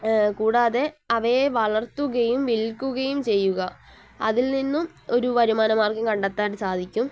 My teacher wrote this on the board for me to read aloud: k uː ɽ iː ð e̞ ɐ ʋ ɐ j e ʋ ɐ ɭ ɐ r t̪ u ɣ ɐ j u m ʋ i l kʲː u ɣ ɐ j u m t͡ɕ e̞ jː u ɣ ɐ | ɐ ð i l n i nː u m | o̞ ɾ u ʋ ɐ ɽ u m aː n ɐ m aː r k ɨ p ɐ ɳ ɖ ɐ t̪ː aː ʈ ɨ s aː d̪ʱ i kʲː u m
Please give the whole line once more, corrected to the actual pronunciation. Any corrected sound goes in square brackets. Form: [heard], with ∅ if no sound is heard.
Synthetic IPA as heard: k uː ɽ [aː] ð e̞ ɐ ʋ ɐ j e ʋ ɐ ɭ ɐ r t̪ u ɣ ɐ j u m ʋ i l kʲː u ɣ ɐ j u m t͡ɕ e̞ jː u ɣ ɐ | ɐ ð i l n i nː u m | o̞ ɾ u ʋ ɐ [ɾ] u m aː n ɐ m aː r k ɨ [k] ɐ ɳ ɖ ɐ t̪ː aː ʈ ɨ s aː d̪ʱ i kʲː u m

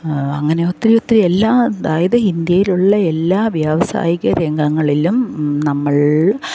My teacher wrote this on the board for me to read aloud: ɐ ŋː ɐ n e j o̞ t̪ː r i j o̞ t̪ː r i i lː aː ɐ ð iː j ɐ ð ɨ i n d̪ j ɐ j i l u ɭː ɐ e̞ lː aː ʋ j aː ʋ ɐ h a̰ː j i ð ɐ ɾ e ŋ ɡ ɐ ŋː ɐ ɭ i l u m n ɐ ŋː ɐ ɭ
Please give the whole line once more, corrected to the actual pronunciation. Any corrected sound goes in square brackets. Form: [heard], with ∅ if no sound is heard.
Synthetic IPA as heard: ɐ ŋː ɐ n e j o̞ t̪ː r i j o̞ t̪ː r i [e] lː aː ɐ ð [aː] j ɐ ð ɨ i n d̪ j ɐ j i l u ɭː ɐ e̞ lː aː ʋ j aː ʋ ɐ [s] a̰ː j i [ɣ] ɐ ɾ e ŋ ɡ ɐ ŋː ɐ ɭ i l u m n ɐ [mː] ɐ ɭ

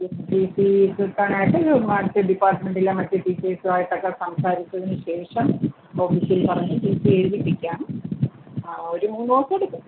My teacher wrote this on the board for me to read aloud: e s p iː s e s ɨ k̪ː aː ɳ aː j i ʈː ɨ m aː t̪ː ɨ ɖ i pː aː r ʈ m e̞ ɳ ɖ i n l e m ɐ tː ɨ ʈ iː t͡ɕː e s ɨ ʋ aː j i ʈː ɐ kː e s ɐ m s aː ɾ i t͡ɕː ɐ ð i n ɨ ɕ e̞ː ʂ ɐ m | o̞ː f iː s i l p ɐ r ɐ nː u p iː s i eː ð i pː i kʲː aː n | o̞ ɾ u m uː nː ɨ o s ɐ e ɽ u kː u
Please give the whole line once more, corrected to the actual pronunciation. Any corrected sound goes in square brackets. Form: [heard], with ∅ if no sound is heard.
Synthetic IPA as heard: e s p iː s [i] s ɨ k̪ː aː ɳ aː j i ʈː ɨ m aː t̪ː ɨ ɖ i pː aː r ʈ m e̞ ɳ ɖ i [∅] l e m ɐ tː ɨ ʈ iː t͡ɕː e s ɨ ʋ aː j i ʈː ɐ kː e s ɐ m s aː ɾ i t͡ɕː ɐ ð i n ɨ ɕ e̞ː ʂ ɐ m | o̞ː f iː s i l p ɐ r ɐ [ɲː] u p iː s i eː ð i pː i kʲː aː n | o̞ ɾ u m uː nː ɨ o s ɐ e ɽ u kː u

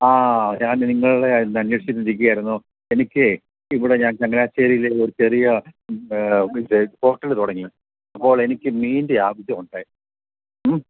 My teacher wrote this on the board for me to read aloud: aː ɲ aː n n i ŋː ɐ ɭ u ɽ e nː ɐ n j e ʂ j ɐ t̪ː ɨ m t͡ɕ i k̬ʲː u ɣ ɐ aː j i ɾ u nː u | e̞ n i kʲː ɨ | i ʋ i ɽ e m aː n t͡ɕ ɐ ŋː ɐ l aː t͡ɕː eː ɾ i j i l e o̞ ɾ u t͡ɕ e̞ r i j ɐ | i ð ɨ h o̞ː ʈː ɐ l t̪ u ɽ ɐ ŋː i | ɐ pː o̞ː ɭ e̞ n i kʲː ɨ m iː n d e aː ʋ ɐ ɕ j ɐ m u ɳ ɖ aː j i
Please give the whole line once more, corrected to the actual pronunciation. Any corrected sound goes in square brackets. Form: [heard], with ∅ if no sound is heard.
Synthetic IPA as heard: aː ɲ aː n n i ŋː ɐ ɭ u ɽ e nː ɐ n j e ʂ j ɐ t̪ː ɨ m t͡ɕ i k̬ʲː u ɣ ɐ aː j i ɾ u nː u | e̞ n i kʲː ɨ | i ʋ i ɽ e [ɲ] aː n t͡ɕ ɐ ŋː ɐ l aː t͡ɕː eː ɾ i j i l e o̞ ɾ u t͡ɕ e̞ r i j ɐ | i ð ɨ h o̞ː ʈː ɐ l t̪ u ɽ ɐ ŋː i | ɐ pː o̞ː ɭ e̞ n i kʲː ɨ m iː n d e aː ʋ ɐ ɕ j ɐ m u ɳ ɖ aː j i

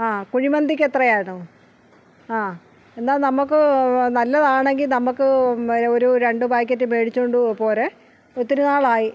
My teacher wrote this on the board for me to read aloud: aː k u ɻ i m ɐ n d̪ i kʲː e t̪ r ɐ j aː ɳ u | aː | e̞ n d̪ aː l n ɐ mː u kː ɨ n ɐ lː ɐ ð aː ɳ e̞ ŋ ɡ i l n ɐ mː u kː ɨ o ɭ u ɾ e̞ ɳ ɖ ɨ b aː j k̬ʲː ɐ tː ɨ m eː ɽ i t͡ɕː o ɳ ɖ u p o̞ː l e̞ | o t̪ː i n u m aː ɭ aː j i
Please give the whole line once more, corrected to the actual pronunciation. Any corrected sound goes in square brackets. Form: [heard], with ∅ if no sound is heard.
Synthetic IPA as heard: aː k u ɻ i m ɐ n d̪ i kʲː e t̪ r ɐ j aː ɳ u | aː | e̞ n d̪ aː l n ɐ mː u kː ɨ n ɐ lː ɐ ð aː ɳ e̞ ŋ ɡ i l n ɐ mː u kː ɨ o [ɾ] u ɾ e̞ ɳ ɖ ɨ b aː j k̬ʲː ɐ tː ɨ m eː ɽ i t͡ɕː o ɳ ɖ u p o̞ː l e̞ | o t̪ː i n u [n] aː ɭ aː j i

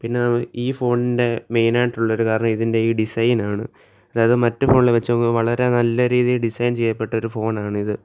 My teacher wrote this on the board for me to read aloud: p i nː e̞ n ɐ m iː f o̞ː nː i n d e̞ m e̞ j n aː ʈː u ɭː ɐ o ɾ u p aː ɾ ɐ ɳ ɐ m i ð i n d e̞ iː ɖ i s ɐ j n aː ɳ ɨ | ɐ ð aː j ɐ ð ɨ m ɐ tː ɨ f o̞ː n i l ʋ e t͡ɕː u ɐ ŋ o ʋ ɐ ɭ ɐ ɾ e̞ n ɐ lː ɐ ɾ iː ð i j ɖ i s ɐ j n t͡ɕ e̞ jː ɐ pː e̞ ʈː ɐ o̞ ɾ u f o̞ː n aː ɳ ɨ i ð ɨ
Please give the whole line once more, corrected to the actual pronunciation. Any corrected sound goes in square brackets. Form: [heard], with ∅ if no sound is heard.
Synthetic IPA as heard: p i nː e̞ n ɐ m iː f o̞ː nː i n d e̞ m e̞ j n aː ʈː u ɭː ɐ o ɾ u [k] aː ɾ ɐ ɳ ɐ m i ð i n d e̞ iː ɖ i s ɐ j n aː ɳ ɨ | ɐ ð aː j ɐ ð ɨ m ɐ tː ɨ f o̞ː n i l ʋ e t͡ɕː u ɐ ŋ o ʋ ɐ ɭ ɐ ɾ e̞ n ɐ lː ɐ ɾ iː ð i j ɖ i s ɐ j n t͡ɕ e̞ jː ɐ pː e̞ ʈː ɐ o̞ ɾ u f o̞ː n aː ɳ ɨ i ð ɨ

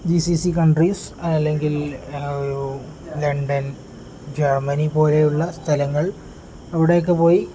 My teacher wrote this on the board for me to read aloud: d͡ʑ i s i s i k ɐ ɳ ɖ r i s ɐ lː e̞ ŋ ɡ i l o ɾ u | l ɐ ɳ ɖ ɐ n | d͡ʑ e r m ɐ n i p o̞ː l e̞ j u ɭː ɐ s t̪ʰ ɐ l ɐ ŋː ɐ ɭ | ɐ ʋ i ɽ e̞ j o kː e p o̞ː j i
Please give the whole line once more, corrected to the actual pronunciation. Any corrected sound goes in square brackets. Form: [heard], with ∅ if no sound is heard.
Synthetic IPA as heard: d͡ʑ i s i s i k ɐ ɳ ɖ r i s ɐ lː e̞ ŋ ɡ i l o ɾ u | l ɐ ɳ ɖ ɐ n | d͡ʑ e r m ɐ n i p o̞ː l e̞ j u ɭː ɐ s t̪ʰ ɐ l ɐ ŋː ɐ ɭ | ɐ ʋ i ɽ e̞ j o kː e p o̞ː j i

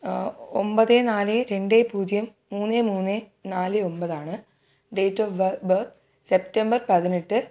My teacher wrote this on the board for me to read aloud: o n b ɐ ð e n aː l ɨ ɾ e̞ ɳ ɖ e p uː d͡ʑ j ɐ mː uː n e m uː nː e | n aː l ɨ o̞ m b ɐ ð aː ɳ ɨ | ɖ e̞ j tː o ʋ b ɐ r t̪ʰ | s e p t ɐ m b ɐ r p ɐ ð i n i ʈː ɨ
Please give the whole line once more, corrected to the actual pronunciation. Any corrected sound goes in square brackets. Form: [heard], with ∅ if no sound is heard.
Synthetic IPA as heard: o [m] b ɐ ð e n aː l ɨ ɾ e̞ ɳ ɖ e p uː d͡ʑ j ɐ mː uː [nː] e m uː nː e | n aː l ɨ o̞ m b ɐ ð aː ɳ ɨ | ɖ e̞ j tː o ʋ b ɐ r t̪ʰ | s e p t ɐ m b ɐ r p ɐ ð i n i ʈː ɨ

